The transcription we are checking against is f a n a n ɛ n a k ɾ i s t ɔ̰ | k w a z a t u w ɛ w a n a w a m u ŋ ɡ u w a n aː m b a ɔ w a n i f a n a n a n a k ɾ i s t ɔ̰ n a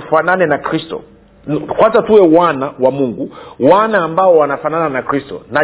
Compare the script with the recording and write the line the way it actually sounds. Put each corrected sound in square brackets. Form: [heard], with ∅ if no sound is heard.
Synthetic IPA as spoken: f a n a n ɛ n a k ɾ i s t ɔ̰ | k w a z a t u w ɛ w a n a w a m u ŋ ɡ u w a n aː m b a ɔ w a n [a] f a n a n a n a k ɾ i s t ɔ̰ n a